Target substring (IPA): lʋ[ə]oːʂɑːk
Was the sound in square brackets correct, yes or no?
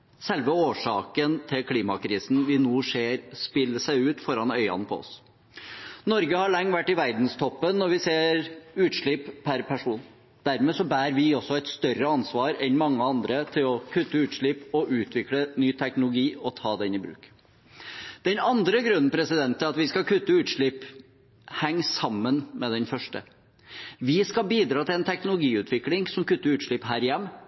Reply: yes